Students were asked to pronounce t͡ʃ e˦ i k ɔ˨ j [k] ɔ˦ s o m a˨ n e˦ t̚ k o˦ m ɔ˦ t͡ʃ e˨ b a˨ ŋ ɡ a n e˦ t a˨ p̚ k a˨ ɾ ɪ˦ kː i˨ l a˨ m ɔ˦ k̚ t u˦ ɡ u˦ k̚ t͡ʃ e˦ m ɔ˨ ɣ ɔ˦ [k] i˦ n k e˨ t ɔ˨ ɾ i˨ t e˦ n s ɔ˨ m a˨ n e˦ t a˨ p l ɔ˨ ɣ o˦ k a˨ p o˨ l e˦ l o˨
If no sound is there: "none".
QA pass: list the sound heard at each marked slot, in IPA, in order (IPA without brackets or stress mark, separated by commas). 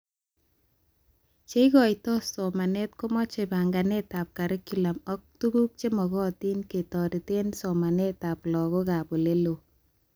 t, t